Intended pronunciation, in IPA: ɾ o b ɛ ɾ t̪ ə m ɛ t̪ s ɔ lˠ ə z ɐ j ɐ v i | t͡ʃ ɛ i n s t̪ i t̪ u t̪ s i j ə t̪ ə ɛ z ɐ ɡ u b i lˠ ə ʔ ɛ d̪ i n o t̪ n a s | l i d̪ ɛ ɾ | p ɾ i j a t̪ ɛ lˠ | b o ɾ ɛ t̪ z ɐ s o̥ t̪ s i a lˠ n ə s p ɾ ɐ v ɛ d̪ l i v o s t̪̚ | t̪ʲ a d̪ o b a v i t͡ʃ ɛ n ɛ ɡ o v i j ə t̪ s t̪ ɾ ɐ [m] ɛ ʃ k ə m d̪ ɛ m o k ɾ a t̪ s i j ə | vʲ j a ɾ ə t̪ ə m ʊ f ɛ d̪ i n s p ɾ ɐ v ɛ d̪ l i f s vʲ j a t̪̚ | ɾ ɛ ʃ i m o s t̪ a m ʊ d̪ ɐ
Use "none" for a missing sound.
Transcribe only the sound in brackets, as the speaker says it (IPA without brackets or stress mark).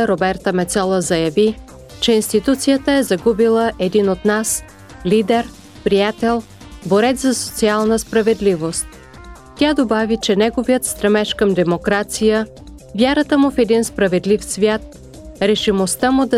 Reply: m